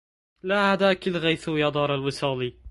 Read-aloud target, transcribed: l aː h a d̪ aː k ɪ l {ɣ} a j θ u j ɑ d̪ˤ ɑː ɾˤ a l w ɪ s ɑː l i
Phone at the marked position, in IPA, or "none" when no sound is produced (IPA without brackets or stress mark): ɣ